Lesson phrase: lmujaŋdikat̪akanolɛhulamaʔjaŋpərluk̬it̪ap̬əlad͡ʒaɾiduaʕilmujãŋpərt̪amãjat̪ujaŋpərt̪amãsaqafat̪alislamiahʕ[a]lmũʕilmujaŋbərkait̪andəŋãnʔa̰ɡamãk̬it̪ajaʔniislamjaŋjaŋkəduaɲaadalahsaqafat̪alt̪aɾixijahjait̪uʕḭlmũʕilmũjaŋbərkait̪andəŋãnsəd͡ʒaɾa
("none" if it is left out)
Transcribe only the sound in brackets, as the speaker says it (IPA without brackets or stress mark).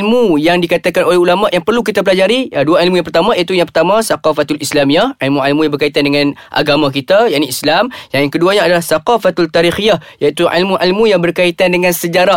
i